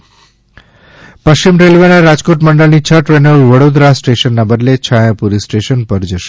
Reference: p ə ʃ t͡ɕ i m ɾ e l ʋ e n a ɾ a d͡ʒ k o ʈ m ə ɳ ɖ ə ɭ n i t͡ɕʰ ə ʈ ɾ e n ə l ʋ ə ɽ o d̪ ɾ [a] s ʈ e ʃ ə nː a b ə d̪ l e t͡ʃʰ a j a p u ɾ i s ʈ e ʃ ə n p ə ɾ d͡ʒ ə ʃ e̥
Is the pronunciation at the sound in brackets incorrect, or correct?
correct